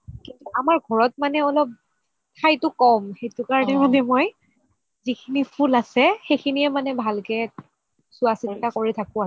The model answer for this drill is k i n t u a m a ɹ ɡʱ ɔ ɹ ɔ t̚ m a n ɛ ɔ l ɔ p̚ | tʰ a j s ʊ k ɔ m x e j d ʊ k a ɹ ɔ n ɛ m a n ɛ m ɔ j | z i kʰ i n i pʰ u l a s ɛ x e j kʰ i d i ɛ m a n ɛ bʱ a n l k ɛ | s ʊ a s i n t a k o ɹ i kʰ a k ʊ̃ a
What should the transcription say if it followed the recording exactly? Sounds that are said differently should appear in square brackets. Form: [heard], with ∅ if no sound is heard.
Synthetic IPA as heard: k i n t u a m a ɹ ɡʱ ɔ ɹ ɔ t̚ m a n ɛ ɔ l ɔ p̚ | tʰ a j [t] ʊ k ɔ m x e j [t] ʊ k a ɹ ɔ n ɛ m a n ɛ m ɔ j | z i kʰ i n i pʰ u l a s ɛ x e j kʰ i [n] i ɛ m a n ɛ bʱ a [∅] l k ɛ | s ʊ a s i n t a k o ɹ i [tʰ] a k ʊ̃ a